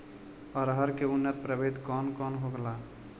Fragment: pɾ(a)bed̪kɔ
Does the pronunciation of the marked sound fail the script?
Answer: yes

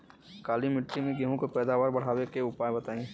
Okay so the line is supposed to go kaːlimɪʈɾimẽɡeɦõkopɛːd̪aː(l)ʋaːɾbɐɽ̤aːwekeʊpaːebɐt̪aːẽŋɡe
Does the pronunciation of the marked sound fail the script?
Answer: yes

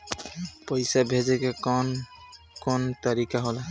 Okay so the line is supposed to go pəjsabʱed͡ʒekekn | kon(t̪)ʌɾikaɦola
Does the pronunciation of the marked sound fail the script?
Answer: no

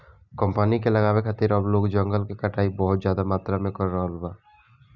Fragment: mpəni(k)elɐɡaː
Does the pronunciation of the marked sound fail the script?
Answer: no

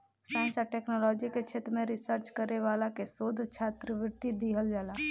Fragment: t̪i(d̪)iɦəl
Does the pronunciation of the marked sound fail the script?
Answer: no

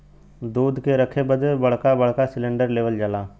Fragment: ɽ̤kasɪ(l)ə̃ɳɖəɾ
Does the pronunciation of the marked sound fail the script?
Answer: no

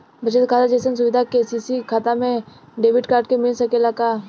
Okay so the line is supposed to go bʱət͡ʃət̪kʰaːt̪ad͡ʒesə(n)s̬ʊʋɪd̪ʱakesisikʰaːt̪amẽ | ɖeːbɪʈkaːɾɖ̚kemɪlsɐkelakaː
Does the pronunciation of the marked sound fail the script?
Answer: no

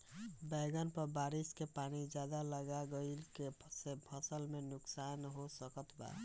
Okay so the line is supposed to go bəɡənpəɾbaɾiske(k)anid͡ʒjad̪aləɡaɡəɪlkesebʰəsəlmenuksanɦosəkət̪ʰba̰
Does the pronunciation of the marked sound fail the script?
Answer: yes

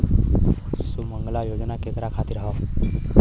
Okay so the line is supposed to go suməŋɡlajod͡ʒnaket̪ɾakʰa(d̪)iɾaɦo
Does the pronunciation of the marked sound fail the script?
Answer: yes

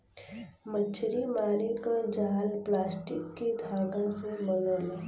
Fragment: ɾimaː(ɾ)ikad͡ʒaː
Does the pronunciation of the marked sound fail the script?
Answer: no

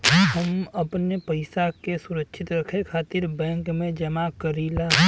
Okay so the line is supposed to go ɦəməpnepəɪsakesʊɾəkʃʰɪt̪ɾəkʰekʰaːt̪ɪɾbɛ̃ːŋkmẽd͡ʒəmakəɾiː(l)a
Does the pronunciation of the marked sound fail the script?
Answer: no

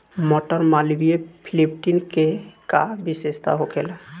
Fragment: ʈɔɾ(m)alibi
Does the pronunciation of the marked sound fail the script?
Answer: no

